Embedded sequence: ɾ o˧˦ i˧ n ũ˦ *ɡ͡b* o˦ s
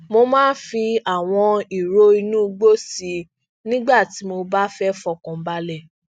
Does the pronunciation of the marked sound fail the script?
no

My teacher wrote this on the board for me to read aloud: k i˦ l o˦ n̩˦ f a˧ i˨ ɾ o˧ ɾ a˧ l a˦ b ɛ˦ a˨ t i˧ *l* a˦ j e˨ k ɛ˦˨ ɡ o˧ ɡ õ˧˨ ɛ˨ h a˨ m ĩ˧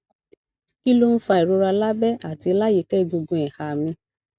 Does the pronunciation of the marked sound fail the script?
no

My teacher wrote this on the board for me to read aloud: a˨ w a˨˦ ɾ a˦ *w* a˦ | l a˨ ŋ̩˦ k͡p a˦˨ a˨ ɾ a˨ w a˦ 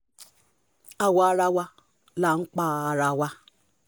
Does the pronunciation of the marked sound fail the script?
no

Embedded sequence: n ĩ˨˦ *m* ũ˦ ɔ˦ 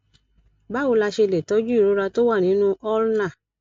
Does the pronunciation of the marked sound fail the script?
yes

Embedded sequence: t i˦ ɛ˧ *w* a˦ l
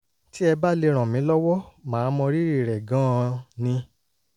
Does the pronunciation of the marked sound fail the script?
yes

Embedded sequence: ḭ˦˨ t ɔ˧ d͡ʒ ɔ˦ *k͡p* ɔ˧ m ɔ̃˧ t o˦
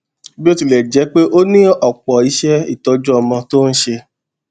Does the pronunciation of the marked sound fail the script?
yes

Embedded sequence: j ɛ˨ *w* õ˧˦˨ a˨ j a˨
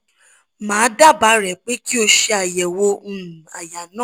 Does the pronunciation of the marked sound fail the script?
no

